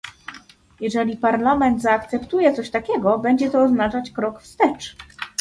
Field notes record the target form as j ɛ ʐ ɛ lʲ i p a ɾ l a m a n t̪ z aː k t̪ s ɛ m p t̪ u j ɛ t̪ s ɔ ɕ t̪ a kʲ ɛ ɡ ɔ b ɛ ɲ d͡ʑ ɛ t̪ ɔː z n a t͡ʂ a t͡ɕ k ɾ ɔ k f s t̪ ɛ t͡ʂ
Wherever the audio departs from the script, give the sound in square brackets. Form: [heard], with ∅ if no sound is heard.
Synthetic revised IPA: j ɛ ʐ ɛ lʲ i p a ɾ l a m [ɛ] n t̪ z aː k t̪ s ɛ [∅] p t̪ u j ɛ t̪ s ɔ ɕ t̪ a kʲ ɛ ɡ ɔ b ɛ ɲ d͡ʑ ɛ t̪ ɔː z n a t͡ʂ a t͡ɕ k ɾ ɔ k f s t̪ ɛ t͡ʂ